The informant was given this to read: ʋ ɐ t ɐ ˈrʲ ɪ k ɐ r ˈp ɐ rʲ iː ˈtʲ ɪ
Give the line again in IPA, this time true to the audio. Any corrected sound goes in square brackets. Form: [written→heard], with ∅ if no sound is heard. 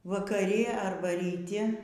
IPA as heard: ʋ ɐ [t→k] ɐ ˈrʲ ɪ [k→∅] ɐ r [ˈp→ˈb] ɐ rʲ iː ˈtʲ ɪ

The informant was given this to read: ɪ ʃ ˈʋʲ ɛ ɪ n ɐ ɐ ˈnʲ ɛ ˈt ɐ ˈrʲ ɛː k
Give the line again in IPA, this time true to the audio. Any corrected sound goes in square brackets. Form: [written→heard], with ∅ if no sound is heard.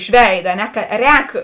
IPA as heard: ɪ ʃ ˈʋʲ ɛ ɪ [n→d] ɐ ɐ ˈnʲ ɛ [ˈt→ˈk] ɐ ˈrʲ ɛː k

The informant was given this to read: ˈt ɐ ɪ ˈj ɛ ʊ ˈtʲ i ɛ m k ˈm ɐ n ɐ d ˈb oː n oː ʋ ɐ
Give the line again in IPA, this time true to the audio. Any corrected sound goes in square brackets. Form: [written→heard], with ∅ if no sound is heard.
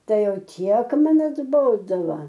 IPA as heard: ˈt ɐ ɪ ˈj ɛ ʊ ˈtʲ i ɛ [m→∅] k ˈm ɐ n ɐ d ˈb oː [n→d] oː ʋ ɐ

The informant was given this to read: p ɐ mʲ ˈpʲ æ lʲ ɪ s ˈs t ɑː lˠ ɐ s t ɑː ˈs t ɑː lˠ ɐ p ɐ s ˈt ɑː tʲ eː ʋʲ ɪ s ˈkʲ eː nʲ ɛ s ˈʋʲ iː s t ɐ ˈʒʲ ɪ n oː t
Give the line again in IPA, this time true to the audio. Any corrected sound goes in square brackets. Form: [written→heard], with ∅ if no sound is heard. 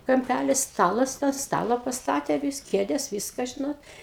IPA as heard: [p→k] ɐ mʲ ˈpʲ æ lʲ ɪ s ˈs t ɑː lˠ ɐ s t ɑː ˈs t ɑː lˠ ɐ p ɐ s ˈt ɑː tʲ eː ʋʲ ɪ s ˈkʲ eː [nʲ→dʲ] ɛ s ˈʋʲ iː s [t→k] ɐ ˈʒʲ ɪ n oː t

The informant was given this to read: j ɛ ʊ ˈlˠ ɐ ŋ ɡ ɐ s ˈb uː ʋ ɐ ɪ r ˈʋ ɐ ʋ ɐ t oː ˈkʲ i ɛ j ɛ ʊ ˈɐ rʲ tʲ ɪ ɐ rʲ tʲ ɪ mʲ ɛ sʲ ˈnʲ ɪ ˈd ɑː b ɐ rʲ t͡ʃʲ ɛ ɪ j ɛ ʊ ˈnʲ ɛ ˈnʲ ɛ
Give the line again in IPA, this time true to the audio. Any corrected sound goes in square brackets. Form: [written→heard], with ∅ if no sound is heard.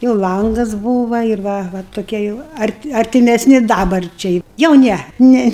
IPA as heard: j ɛ ʊ ˈlˠ ɐ ŋ ɡ ɐ s ˈb uː ʋ ɐ ɪ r ˈʋ ɐ ʋ ɐ t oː ˈkʲ i ɛ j ɛ ʊ ˈɐ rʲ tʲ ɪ ɐ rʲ tʲ ɪ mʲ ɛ sʲ ˈnʲ ɪ ˈd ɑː b ɐ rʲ t͡ʃʲ ɛ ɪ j ɛ ʊ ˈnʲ ɛ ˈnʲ ɛ

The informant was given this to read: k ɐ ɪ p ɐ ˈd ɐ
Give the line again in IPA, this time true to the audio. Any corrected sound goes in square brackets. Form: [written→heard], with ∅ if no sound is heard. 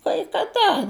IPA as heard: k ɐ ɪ [p→k] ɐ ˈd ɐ

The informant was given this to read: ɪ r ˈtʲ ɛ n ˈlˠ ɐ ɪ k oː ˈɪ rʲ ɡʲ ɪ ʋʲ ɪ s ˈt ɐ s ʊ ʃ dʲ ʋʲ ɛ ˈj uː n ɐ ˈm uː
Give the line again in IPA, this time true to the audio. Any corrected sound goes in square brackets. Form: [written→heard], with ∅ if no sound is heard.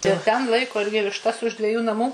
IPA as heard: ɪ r ˈtʲ ɛ n ˈlˠ ɐ ɪ k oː ˈɪ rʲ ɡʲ ɪ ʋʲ ɪ [s→ʃ] ˈt ɐ s ʊ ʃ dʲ ʋʲ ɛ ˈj uː n ɐ ˈm uː

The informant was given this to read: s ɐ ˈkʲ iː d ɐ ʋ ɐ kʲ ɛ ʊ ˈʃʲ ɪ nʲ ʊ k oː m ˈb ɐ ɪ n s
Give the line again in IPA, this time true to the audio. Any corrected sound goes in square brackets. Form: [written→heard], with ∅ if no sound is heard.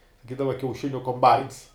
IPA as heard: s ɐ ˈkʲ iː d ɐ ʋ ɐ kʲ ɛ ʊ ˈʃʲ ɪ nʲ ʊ k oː m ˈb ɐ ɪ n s

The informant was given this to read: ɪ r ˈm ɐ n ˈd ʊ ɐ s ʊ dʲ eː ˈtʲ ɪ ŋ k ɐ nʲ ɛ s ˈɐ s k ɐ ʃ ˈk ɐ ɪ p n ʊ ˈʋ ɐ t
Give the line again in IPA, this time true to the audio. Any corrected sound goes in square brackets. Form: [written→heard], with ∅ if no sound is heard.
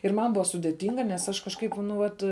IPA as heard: ɪ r ˈm ɐ n [ˈd→ˈb] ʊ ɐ s ʊ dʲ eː ˈtʲ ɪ ŋ [k→ɡ] ɐ nʲ ɛ s ˈɐ [s→ʃ] k ɐ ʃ ˈk ɐ ɪ p n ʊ ˈʋ ɐ t

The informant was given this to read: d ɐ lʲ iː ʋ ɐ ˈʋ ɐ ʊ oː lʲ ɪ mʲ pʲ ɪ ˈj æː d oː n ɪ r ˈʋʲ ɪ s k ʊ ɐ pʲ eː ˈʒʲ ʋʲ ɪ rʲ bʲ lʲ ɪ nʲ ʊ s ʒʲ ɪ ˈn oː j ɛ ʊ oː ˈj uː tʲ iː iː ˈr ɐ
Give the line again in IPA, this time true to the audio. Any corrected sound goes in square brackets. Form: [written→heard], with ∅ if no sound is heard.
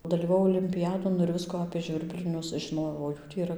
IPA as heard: d ɐ lʲ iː ʋ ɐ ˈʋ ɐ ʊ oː lʲ ɪ mʲ pʲ ɪ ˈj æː d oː n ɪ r ˈʋʲ ɪ s k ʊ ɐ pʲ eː ˈʒʲ ʋʲ ɪ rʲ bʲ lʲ ɪ nʲ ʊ s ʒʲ ɪ ˈn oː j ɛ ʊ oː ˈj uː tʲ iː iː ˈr ɐ

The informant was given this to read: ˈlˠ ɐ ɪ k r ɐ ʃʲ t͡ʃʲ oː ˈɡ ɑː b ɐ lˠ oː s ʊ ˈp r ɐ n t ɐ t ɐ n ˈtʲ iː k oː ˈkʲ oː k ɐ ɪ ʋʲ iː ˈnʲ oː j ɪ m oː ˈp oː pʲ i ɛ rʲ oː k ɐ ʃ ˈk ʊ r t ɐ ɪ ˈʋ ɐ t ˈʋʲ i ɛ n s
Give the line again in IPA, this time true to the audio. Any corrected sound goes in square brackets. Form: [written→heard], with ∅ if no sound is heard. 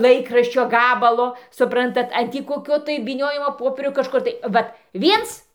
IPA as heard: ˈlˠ ɐ ɪ k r ɐ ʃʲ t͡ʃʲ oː ˈɡ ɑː b ɐ lˠ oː s ʊ ˈp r ɐ n t ɐ t ɐ n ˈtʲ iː k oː ˈkʲ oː [k→t] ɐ ɪ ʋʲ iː ˈnʲ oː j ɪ m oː ˈp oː pʲ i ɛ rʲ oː k ɐ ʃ ˈk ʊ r t ɐ ɪ ˈʋ ɐ t ˈʋʲ i ɛ n s

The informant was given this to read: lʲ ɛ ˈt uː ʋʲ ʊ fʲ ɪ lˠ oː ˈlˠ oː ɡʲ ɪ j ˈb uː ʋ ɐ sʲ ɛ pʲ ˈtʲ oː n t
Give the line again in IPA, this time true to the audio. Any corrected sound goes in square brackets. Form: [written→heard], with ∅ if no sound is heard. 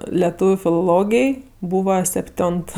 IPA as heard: lʲ ɛ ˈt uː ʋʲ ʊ fʲ ɪ lˠ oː ˈlˠ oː ɡʲ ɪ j ˈb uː ʋ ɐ sʲ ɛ pʲ ˈtʲ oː n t

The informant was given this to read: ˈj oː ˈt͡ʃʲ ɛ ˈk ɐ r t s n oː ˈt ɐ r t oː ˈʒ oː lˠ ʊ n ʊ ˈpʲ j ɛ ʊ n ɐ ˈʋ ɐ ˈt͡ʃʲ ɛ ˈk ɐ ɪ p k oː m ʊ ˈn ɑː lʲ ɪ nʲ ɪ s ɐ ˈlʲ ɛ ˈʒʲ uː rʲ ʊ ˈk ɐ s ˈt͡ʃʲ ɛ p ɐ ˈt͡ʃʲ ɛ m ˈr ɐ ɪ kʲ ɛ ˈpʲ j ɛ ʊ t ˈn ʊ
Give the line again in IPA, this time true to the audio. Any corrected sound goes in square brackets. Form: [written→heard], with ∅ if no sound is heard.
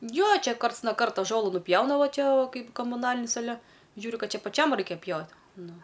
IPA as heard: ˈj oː ˈt͡ʃʲ ɛ ˈk ɐ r t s n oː [ˈt→ˈk] ɐ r t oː ˈʒ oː lˠ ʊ n ʊ ˈpʲ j ɛ ʊ n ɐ ˈʋ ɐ ˈt͡ʃʲ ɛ ˈk ɐ ɪ p k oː m ʊ ˈn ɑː lʲ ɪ nʲ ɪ s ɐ ˈlʲ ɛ ˈʒʲ uː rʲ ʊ ˈk ɐ [s→t] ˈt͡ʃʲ ɛ p ɐ ˈt͡ʃʲ ɛ m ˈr ɐ ɪ kʲ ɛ ˈpʲ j ɛ ʊ t ˈn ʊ

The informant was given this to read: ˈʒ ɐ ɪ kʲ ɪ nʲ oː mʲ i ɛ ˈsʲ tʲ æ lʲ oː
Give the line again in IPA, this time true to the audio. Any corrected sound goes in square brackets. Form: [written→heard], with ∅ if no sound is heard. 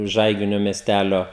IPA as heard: ˈʒ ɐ ɪ [kʲ→ɡʲ] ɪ nʲ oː mʲ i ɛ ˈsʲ tʲ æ lʲ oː

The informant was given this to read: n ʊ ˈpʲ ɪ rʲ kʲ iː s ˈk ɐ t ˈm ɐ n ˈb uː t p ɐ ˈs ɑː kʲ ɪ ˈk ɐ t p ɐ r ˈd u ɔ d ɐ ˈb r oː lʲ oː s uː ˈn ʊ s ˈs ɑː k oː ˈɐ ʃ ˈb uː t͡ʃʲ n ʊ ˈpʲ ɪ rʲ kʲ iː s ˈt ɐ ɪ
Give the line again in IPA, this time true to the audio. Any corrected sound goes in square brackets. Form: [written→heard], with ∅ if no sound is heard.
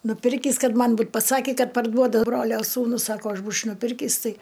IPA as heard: n ʊ ˈpʲ ɪ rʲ kʲ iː s ˈk ɐ t ˈm ɐ n ˈb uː t p ɐ ˈs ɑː kʲ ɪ ˈk ɐ t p ɐ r ˈd u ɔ d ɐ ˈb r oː lʲ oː s uː ˈn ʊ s ˈs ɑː k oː ˈɐ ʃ ˈb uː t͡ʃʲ n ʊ ˈpʲ ɪ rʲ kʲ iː s ˈt ɐ ɪ

